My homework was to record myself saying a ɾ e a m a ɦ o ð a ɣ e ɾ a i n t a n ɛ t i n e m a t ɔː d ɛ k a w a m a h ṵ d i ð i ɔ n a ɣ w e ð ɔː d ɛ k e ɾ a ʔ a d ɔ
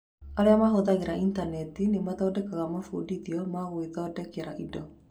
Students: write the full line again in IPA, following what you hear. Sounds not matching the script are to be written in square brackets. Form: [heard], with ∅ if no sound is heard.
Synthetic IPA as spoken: a ɾ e a m a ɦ o ð a ɣ e ɾ a i n t a n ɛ t i n e m a t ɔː d ɛ k a [ɣ] a m a [f] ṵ d i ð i ɔ [m] a ɣ w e ð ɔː d ɛ k e ɾ a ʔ [i] d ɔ